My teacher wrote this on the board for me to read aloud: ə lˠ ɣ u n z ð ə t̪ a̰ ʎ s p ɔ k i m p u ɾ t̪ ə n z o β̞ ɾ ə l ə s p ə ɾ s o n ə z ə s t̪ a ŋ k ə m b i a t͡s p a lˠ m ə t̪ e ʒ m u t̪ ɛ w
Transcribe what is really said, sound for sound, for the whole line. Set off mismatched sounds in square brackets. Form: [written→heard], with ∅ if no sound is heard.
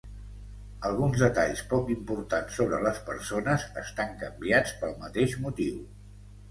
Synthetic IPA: ə lˠ ɣ u n z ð ə t̪ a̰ ʎ s p ɔ k i m p u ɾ t̪ [ə→a] n [z→s] o β̞ ɾ ə l ə s p ə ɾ s o n ə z ə s t̪ a ŋ k ə m b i a t͡s p [a→ə] lˠ m ə t̪ e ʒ m u t̪ [ɛ→i] w

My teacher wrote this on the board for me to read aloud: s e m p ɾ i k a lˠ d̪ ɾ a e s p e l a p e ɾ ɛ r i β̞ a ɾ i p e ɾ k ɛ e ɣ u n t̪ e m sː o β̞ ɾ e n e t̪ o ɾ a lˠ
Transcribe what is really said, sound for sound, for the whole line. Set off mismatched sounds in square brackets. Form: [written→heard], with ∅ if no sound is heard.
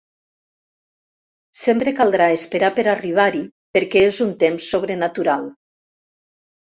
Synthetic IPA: s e m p ɾ [i→e] k a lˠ d̪ ɾ a e s p e [l→ɾ] a p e ɾ [ɛ→a] r i β̞ a ɾ i p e ɾ k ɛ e [ɣ→z] u n t̪ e m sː o β̞ ɾ e n [e→a] t̪ [o→u] ɾ a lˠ

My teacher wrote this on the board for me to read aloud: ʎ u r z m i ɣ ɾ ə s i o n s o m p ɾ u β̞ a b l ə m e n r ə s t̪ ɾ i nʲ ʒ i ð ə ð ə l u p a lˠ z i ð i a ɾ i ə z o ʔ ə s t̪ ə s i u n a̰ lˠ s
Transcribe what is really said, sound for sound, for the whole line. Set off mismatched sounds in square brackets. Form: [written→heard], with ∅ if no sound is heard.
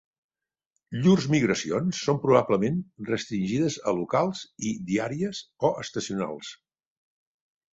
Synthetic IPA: ʎ u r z m i ɣ ɾ ə s i o n [s→sː] o m p ɾ u β̞ a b l ə m e n r ə s t̪ ɾ i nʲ ʒ i ð ə [ð→z] ə l u [p→k] a lˠ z i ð i a ɾ i ə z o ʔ ə s t̪ ə s i u n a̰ lˠ s

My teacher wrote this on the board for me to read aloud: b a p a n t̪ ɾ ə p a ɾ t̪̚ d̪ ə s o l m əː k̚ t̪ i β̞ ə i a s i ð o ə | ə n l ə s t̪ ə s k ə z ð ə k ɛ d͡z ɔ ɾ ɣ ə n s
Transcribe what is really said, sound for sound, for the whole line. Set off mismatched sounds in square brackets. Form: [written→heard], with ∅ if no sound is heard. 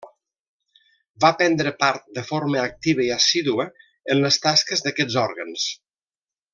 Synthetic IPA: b a p [a→ɛ] n [t̪→d̪] ɾ ə p a ɾ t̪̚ d̪ ə [s→f] o [l→ɾ] m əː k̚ t̪ i β̞ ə i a s i ð [o→u] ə | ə n l ə s t̪ [ə→a] s k ə z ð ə k ɛ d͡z ɔ ɾ ɣ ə n s

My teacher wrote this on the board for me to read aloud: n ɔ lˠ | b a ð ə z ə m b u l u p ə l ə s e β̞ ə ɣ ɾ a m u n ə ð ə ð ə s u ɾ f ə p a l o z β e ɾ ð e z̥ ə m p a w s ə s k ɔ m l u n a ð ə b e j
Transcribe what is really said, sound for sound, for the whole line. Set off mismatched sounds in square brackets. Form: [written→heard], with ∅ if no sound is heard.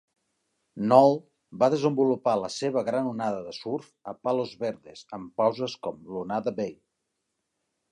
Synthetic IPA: n ɔ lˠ | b a ð ə z ə m b u l u p [ə→a] l ə s e β̞ ə ɣ ɾ a [m→n] u n [ə→a] ð ə ð ə s u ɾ f ə p a l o z β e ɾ ð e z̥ ə m p a w [s→z] ə s k ɔ m l u n a ð ə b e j

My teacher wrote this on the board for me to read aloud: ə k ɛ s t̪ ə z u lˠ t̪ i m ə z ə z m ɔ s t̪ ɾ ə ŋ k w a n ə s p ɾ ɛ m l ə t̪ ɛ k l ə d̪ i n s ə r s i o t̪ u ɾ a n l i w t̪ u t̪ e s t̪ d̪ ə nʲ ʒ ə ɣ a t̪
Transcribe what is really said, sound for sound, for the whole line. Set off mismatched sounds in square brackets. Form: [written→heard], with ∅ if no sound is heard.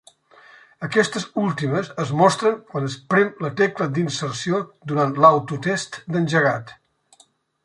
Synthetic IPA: ə k ɛ s t̪ ə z u lˠ t̪ i m ə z ə z m ɔ s t̪ ɾ ə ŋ k w a n ə s p ɾ ɛ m l ə t̪ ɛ k l ə d̪ i n s ə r s i o [t̪→d̪] u ɾ a n l [i→a] w t̪ u t̪ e s t̪ d̪ ə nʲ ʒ ə ɣ a t̪

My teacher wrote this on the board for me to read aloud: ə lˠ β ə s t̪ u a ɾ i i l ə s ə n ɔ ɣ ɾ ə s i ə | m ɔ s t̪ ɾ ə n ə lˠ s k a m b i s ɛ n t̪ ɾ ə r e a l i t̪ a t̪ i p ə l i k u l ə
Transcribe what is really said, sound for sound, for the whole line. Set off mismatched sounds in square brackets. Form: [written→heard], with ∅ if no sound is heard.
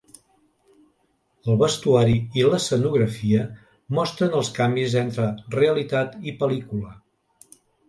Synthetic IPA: ə lˠ β ə s t̪ u a ɾ i i l ə s ə n [ɔ→u] ɣ ɾ ə [s→f] i ə | m ɔ s t̪ ɾ ə n ə lˠ s k a m b i [s→z] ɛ n t̪ ɾ ə r e [a→ə] l i t̪ a t̪ i p ə l i k u l ə

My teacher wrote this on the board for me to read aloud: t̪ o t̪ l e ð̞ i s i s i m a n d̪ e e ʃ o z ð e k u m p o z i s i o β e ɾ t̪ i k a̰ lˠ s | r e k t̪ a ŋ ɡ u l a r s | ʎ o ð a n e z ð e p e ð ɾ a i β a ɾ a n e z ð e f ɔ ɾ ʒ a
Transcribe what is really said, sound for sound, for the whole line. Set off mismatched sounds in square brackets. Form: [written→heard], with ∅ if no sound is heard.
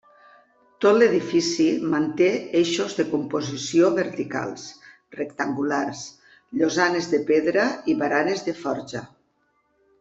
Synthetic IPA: t̪ o t̪ l e ð̞ i [s→f] i s i m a n [d̪→t̪] e e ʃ o z ð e k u m p o z i s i o β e ɾ t̪ i k a̰ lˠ s | r e k t̪ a ŋ ɡ u l a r s | ʎ o [ð→z] a n e z ð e p e ð ɾ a i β a ɾ a n e z ð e f ɔ ɾ ʒ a

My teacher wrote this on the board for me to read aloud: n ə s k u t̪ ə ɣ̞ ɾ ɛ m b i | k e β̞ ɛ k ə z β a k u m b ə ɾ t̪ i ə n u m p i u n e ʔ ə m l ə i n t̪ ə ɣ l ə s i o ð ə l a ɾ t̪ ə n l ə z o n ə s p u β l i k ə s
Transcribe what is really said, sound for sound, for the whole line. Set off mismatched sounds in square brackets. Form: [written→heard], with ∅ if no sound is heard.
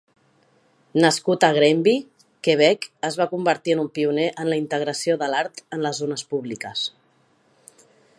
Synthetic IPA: n ə s k u t̪ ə ɣ̞ ɾ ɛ m b i | k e β̞ ɛ k ə z β a k u m b ə ɾ t̪ i ə n u m p i u n e ʔ ə [m→n] l ə i n t̪ ə ɣ [l→ɾ] ə s i o ð ə l a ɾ t̪ ə n l ə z o n ə s p u β l i k ə s

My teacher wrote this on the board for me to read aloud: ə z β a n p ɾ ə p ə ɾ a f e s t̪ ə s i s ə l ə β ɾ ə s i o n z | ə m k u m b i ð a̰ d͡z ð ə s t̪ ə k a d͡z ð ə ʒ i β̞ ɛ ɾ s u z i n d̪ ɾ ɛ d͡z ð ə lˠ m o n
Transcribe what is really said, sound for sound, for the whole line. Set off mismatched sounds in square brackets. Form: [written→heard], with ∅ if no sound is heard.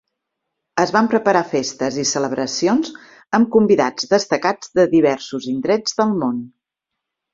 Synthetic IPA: ə z β a [n→m] p ɾ ə p ə ɾ a f e s t̪ ə [s→z] i s ə l ə β ɾ ə s i o n z | ə m k u m b i ð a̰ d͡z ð ə s t̪ ə k a d͡z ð ə [ʒ→ð] i β̞ ɛ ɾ s u z i n d̪ ɾ ɛ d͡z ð ə lˠ m o n

